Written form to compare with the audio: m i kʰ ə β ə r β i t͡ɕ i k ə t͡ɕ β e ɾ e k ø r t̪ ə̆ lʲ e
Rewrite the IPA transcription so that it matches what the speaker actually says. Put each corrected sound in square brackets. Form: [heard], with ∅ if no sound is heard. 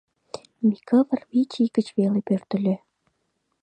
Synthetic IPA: m i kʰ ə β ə r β i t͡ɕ i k ə t͡ɕ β e [l] e [p] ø r t̪ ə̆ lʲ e